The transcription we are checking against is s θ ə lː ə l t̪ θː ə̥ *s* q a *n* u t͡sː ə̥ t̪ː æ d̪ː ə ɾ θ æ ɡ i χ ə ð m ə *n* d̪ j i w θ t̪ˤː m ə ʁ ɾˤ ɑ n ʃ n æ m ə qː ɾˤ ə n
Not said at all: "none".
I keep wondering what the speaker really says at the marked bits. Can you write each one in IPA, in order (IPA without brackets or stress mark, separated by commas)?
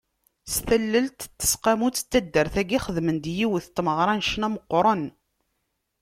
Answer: s, m, n